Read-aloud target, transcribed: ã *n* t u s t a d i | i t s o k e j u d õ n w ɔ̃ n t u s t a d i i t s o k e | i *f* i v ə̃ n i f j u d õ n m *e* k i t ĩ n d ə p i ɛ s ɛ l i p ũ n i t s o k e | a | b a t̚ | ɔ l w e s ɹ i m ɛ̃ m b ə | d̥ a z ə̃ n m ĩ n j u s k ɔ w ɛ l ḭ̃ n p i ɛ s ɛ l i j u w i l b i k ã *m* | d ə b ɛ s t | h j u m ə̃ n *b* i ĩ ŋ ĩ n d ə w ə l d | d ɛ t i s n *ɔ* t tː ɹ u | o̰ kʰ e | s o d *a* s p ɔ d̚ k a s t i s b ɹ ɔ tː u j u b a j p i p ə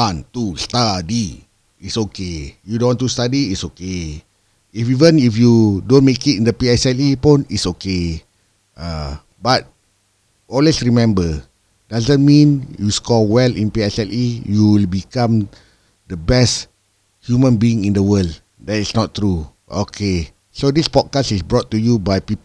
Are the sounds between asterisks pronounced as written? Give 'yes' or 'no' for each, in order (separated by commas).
yes, yes, yes, yes, yes, yes, no